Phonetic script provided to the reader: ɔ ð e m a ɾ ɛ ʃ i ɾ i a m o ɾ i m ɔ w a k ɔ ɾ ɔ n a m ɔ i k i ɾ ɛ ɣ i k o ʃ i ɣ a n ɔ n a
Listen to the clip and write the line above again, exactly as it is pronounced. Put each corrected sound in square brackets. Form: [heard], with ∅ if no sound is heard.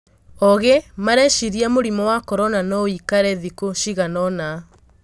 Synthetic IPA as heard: ɔ [ɣ] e m a ɾ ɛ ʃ i ɾ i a m o ɾ i m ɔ w a k ɔ ɾ ɔ n a [n] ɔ i k [a] ɾ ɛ [ð] i k o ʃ i ɣ a n ɔ n a